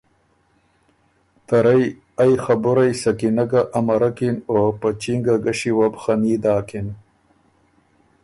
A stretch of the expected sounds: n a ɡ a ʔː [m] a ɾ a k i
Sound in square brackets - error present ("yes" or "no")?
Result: no